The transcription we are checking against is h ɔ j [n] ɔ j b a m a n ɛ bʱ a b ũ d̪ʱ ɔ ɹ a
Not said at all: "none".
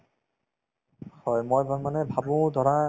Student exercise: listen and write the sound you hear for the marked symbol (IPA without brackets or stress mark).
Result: m